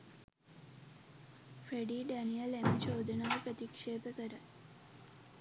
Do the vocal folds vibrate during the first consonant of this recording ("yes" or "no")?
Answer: no